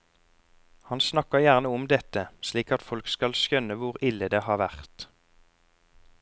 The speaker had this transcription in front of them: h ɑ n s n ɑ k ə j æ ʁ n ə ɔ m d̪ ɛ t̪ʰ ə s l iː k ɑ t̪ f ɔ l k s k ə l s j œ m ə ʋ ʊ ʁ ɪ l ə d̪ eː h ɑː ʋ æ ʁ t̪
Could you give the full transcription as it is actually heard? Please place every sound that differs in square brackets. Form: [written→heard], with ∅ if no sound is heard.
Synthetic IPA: h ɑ n s n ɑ k ə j æ ʁ n ə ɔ m d̪ ɛ [t̪ʰ→t̪] ə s l iː k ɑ t̪ f ɔ l k s k [ə→ɑ] l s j œ [m→n] ə ʋ ʊ ʁ ɪ l ə d̪ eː h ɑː ʋ æ ʁ t̪